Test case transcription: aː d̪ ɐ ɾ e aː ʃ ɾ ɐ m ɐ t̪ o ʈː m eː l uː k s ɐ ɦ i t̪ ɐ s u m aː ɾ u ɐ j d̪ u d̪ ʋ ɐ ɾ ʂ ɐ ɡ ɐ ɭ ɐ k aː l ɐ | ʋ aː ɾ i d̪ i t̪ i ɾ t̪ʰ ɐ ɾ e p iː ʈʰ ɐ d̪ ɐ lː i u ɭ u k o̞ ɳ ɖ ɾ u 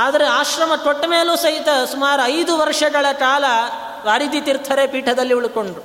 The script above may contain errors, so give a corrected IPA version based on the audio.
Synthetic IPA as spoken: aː d̪ ɐ ɾ e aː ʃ ɾ ɐ m ɐ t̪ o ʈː m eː l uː s ɐ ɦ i t̪ ɐ s u m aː ɾ u ɐ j d̪ u ʋ ɐ ɾ ʂ ɐ ɡ ɐ ɭ ɐ k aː l ɐ | ʋ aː ɾ i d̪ i t̪ i ɾ t̪ʰ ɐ ɾ e p iː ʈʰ ɐ d̪ ɐ lː i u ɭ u k o̞ ɳ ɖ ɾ u